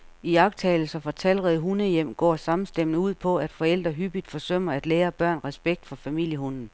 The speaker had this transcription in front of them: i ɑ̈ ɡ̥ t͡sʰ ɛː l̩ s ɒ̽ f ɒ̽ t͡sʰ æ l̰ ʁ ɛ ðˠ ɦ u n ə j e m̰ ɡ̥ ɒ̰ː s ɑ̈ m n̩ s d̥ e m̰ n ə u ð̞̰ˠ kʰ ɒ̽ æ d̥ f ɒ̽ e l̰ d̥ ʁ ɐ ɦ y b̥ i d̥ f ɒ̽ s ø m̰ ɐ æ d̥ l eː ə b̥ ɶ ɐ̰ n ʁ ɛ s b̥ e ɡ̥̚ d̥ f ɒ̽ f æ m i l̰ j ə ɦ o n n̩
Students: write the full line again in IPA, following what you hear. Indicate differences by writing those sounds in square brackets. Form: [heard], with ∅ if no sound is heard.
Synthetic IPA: i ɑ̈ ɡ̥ t͡sʰ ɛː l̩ s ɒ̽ f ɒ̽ t͡sʰ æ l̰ ʁ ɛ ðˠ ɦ u n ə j e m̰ ɡ̥ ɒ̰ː s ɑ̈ m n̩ s d̥ e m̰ n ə u ð̞̰ˠ [pʰ] ɒ̽ æ d̥ f ɒ̽ e l̰ d̥ ʁ ɐ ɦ y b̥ i d̥ f ɒ̽ s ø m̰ ɐ æ d̥ l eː [ɐ] b̥ ɶ ɐ̰ n ʁ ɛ s b̥ e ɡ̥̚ d̥ f ɒ̽ f æ m i l̰ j ə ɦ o n n̩